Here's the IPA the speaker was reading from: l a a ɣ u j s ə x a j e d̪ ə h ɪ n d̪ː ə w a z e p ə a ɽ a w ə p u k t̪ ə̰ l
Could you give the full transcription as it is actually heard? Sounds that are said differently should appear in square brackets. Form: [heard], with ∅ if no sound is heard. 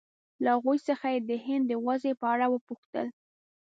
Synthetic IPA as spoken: l a a ɣ u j s ə x a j e d̪ ə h ɪ n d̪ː ə w a z e p ə a ɽ a w ə p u [x] t̪ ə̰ l